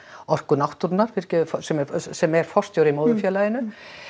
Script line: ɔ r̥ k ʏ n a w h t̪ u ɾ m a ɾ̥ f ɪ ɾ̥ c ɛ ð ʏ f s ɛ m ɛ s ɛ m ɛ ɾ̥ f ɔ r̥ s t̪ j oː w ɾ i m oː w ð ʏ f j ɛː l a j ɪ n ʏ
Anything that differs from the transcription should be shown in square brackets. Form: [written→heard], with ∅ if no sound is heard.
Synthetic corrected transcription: ɔ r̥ k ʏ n a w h t̪ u ɾ [m→n] a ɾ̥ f ɪ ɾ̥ c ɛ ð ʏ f s ɛ m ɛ s ɛ m ɛ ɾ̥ f ɔ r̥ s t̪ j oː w ɾ i m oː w ð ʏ f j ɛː l a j ɪ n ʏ

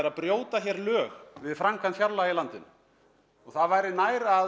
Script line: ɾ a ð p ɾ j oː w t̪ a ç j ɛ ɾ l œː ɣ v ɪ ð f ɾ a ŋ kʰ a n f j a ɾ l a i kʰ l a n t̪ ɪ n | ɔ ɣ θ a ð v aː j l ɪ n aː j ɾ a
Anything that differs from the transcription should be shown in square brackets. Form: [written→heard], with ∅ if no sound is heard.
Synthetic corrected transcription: ɾ a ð p ɾ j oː w t̪ a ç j ɛ ɾ l œː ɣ v ɪ ð f ɾ a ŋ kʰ a n f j a ɾ l a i [kʰ→∅] l a n t̪ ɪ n | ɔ ɣ θ a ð v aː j [l→ɾ] ɪ n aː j ɾ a

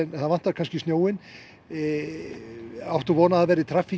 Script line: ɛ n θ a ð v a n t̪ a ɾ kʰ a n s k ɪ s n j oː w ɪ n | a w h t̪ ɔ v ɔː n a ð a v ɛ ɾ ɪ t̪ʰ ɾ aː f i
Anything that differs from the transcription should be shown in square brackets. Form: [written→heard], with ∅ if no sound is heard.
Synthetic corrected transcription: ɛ n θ a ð v a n t̪ a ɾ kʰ a n s [k→c] ɪ s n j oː w ɪ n | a w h t̪ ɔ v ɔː n a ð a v ɛ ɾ ɪ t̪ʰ ɾ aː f i

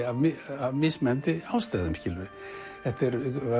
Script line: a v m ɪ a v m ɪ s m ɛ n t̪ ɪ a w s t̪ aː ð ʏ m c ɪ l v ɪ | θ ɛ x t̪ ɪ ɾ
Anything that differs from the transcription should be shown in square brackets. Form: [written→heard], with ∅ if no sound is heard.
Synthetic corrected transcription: a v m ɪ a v m ɪ s m ɛ n t̪ ɪ a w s t̪ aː ð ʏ m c ɪ l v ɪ | θ ɛ [x→h] t̪ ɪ ɾ

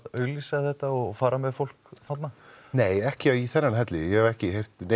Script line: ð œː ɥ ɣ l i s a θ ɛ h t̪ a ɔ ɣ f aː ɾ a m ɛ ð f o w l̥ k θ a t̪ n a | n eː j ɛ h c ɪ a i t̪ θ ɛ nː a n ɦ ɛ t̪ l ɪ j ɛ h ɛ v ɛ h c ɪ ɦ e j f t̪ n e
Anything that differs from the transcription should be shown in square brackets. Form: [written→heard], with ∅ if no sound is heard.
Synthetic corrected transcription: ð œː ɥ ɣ l i s a θ ɛ h t̪ a ɔ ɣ f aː ɾ a m ɛ ð f o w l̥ k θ a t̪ n a | n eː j ɛ h c ɪ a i [t̪→∅] θ ɛ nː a n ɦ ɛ t̪ l ɪ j ɛ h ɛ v ɛ h c ɪ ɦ e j f t̪ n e

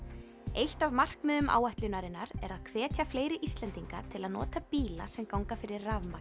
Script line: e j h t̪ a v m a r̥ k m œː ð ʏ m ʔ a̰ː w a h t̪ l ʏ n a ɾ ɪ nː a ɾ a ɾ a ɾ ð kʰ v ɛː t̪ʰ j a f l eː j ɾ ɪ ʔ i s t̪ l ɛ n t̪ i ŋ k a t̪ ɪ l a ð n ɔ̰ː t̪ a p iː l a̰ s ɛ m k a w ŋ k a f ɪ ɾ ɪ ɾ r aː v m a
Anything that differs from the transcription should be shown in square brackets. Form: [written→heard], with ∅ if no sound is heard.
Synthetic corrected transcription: e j h t̪ a v m a r̥ k m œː ð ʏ m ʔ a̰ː w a h t̪ l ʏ n a ɾ ɪ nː a ɾ [a→ɛ] ɾ a [ɾ→∅] ð kʰ v ɛː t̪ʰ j a f l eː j ɾ ɪ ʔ i s t̪ l ɛ n t̪ i ŋ k a [t̪→t̪ʰ] ɪ l a ð n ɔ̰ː t̪ a p iː l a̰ s ɛ m k a w ŋ k a f ɪ ɾ ɪ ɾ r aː v m a

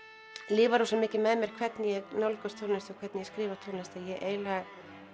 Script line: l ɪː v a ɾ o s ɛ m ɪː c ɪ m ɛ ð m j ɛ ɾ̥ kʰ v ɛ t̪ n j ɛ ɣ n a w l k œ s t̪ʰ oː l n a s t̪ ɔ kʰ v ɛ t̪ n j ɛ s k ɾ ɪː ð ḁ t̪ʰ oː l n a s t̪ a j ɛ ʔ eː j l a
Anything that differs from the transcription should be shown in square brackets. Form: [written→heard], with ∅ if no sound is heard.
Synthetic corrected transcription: l ɪː v a ɾ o s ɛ m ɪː c ɪ m ɛ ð m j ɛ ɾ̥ kʰ v ɛ t̪ n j ɛ ɣ n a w l k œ s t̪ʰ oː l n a s t̪ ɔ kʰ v ɛ t̪ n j ɛ s k ɾ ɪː [ð→v] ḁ t̪ʰ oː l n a s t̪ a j ɛ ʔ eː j l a

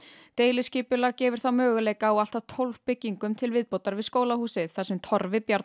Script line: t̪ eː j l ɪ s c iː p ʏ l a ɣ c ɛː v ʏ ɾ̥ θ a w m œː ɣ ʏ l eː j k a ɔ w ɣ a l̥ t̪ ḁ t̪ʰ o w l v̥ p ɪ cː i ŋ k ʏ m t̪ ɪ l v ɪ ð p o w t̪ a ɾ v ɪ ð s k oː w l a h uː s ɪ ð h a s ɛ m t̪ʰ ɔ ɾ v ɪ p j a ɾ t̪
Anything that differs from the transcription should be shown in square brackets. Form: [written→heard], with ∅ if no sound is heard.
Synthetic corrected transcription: t̪ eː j l ɪ s c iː p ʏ l a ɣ c ɛː v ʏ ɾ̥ θ a w m œː ɣ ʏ l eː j k a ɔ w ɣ a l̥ t̪ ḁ t̪ʰ o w l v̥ p ɪ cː i ŋ k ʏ m [t̪→t̪ʰ] ɪ l v ɪ ð p o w t̪ a ɾ v ɪ ð s k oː w l a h uː s ɪ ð [h→θ] a s ɛ m t̪ʰ ɔ ɾ v ɪ p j a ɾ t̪

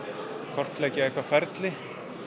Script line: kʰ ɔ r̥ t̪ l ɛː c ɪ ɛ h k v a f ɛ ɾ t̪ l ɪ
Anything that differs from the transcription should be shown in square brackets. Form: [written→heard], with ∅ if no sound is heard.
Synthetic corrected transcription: kʰ ɔ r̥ t̪ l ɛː c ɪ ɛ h k v a f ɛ ɾ t̪ l ɪ

